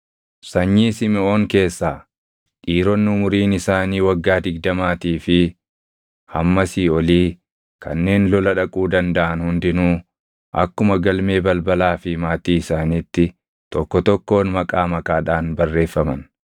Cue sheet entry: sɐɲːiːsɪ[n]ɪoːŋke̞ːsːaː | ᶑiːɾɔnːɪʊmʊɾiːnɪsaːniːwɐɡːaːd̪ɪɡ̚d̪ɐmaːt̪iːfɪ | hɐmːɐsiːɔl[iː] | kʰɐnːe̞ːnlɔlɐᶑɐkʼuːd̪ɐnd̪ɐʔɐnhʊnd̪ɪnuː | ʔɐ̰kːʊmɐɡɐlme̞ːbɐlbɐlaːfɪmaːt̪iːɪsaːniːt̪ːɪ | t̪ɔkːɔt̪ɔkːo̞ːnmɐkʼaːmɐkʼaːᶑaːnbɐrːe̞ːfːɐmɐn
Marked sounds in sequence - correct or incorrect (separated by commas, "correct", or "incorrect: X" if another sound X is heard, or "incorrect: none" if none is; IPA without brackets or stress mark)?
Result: incorrect: m, correct